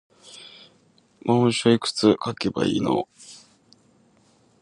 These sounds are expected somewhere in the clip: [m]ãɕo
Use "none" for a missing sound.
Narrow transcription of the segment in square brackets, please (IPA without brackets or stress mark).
m